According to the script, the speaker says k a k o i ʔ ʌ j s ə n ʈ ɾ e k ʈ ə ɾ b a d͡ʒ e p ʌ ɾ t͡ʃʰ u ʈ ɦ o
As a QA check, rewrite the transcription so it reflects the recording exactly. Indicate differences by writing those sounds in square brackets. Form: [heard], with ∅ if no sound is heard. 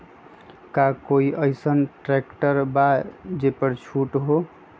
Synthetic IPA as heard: k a k o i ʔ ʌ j s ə n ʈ ɾ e k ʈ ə ɾ b a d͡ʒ e p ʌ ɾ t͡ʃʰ u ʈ ɦ o